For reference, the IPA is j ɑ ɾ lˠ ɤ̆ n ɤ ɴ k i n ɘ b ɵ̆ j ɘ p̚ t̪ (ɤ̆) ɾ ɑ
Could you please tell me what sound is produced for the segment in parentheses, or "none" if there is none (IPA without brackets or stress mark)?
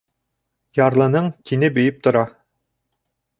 ŏ